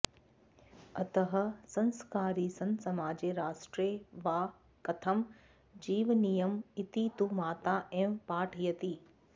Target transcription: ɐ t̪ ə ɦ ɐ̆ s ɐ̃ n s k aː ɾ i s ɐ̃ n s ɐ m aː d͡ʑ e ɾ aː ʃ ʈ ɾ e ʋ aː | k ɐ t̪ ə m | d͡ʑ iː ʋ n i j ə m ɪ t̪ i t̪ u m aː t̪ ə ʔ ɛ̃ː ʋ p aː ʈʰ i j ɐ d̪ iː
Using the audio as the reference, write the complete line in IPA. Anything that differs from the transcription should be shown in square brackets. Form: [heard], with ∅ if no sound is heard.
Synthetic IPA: ɐ t̪ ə ɦ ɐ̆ s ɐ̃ n s k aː ɾ i s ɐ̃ n s ɐ m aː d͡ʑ e ɾ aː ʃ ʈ ɾ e ʋ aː | k ɐ [t̪ʰ] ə m | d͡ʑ iː ʋ n i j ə m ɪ t̪ i t̪ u m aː t̪ [a] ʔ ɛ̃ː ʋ p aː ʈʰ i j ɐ [t̪] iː